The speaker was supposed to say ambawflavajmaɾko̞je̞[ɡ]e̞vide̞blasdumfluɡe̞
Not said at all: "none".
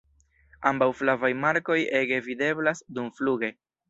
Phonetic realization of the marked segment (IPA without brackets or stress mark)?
ɡ